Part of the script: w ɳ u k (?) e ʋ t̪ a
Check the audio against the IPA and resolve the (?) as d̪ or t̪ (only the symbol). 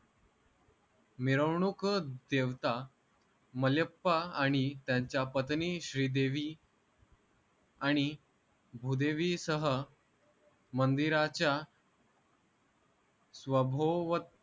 d̪